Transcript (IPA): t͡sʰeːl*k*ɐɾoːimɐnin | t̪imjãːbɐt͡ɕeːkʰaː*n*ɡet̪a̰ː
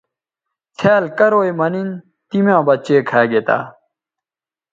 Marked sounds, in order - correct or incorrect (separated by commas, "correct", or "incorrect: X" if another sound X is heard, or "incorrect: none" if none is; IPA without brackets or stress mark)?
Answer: correct, incorrect: none